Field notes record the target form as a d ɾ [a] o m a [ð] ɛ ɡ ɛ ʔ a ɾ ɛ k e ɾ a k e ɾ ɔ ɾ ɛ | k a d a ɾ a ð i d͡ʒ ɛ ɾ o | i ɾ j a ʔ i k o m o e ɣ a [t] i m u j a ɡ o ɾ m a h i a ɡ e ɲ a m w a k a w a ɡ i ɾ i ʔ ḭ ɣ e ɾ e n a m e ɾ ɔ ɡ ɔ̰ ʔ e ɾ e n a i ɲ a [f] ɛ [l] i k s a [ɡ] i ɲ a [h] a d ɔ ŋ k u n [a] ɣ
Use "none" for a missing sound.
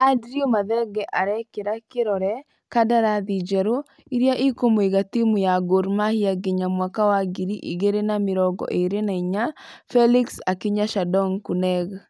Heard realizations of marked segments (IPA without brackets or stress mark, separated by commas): i, ð, t, f, l, k, ʃ, ɛ